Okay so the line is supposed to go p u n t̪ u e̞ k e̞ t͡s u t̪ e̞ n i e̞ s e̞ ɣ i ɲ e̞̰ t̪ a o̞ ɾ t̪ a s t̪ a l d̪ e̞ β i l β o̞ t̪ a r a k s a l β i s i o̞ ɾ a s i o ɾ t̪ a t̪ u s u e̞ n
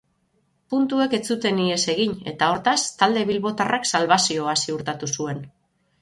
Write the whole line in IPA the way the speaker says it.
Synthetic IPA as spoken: p u n t̪ u e̞ k e̞ t͡s u t̪ e̞ n i e̞ s e̞ ɣ i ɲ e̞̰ t̪ a o̞ ɾ t̪ a s t̪ a l d̪ e̞ β i l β o̞ t̪ a r a k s a l β a s i o̞ a s i u ɾ t̪ a t̪ u s u e̞ n